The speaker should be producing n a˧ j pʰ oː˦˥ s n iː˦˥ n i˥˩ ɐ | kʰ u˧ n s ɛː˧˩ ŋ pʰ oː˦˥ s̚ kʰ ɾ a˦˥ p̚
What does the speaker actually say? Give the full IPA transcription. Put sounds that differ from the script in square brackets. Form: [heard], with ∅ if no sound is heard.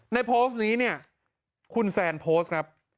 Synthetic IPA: n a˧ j pʰ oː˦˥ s n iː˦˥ n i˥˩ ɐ | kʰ u˧ n s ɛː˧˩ [n] pʰ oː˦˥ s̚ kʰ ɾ a˦˥ p̚

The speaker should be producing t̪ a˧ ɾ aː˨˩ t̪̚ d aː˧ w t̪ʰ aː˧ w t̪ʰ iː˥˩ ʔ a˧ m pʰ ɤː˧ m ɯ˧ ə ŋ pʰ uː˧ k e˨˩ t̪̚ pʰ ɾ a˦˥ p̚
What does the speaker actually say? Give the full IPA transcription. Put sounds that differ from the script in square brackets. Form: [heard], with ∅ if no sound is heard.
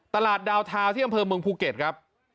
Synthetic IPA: t̪ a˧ [l] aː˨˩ t̪̚ d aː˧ w t̪ʰ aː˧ w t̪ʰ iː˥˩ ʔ a˧ m pʰ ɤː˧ m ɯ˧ ə ŋ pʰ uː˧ k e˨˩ t̪̚ [kʰ] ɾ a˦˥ p̚

